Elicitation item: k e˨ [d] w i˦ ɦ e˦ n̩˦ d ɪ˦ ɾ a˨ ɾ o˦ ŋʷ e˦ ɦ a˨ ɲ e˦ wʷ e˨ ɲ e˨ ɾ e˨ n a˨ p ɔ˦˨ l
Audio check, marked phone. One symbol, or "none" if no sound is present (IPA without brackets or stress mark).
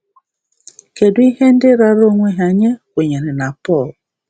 d